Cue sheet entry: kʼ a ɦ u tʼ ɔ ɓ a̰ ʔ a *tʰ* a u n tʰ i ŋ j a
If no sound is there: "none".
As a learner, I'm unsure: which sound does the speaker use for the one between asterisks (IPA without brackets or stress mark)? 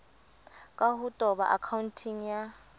kʰ